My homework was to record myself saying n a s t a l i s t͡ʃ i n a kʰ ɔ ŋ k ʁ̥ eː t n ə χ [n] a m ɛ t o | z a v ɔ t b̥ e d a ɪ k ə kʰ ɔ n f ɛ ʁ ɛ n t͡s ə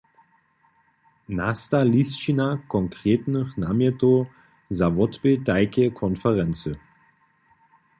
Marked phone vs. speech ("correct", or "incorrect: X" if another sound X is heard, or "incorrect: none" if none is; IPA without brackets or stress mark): correct